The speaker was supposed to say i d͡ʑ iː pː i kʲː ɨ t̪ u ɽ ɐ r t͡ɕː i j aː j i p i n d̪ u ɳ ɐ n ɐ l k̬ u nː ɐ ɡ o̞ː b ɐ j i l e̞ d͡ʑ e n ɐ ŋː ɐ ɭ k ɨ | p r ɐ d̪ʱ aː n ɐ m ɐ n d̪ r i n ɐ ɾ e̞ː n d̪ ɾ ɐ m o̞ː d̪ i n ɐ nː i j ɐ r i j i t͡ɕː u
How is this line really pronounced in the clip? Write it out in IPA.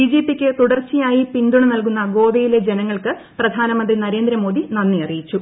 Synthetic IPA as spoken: i d͡ʑ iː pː i kʲː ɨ t̪ u ɽ ɐ r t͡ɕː i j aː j i p i n d̪ u ɳ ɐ n ɐ l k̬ u nː ɐ ɡ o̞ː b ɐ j i l e̞ d͡ʑ e n ɐ ŋː ɐ ɭ k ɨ | p r ɐ d̪ʱ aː n ɐ m ɐ n d̪ r i n ɐ ɾ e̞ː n d̪ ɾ ɐ m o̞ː d̪ i n ɐ nː i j ɐ r i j i t͡ɕː u